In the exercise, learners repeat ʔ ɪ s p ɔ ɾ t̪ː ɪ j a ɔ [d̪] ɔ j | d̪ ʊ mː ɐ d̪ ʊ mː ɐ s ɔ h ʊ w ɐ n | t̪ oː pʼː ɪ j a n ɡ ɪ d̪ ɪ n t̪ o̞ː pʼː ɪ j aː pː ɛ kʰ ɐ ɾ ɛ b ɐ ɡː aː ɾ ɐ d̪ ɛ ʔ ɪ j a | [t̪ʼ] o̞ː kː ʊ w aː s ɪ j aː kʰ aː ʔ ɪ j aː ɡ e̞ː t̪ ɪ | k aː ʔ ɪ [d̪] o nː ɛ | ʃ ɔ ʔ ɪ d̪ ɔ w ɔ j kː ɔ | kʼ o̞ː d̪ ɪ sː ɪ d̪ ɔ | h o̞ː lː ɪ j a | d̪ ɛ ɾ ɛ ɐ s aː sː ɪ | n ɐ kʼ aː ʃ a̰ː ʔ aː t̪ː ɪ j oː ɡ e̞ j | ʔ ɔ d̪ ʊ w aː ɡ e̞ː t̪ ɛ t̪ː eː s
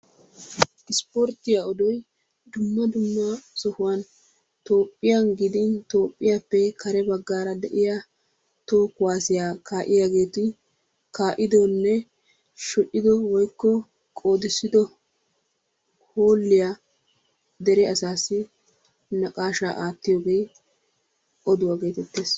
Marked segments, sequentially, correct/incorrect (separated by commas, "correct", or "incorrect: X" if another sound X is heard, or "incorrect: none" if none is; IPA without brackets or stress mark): correct, incorrect: t̪, correct